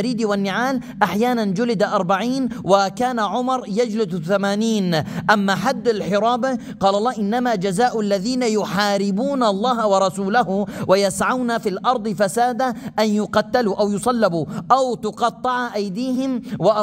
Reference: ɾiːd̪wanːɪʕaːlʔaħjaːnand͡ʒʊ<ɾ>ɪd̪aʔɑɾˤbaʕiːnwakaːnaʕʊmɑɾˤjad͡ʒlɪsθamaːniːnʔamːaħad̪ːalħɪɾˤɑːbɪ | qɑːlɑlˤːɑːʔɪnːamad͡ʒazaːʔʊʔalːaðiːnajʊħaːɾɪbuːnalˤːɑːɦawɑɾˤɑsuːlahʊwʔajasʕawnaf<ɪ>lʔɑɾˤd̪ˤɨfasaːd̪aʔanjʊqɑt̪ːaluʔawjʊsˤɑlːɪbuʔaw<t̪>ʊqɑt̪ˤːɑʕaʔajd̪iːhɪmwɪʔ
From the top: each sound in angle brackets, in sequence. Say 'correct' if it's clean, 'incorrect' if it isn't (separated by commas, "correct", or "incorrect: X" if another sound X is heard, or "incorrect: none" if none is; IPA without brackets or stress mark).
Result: incorrect: l, incorrect: i, correct